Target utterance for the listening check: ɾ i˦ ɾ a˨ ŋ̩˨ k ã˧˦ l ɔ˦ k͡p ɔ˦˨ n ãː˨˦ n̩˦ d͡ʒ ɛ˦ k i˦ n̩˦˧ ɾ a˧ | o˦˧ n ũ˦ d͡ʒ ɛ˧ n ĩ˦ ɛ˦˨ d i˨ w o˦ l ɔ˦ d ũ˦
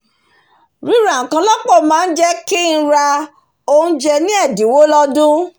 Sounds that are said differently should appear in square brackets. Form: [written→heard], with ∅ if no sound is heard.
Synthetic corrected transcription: ɾ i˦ ɾ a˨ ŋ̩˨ k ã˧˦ l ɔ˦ k͡p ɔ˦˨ [n→m] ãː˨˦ n̩˦ d͡ʒ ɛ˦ k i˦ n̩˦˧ ɾ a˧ | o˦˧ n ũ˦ d͡ʒ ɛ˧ n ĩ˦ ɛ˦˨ d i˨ w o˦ l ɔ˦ d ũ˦